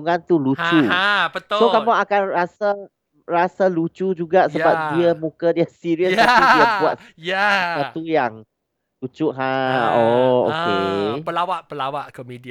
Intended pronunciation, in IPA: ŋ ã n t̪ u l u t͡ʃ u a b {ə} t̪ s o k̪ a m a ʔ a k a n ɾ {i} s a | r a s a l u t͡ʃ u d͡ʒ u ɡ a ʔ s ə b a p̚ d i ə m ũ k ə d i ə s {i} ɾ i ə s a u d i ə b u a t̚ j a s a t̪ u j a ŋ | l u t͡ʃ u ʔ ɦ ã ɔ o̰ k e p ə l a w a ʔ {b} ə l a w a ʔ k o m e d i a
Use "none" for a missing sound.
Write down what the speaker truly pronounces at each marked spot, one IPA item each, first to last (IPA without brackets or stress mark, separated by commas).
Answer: ə, a, i, p